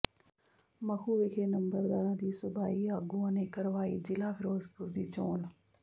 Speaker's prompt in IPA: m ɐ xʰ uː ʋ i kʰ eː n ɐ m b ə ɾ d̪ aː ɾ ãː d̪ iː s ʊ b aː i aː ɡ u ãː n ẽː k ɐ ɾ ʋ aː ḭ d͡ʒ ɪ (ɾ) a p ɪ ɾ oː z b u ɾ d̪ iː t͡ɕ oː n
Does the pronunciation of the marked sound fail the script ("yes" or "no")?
yes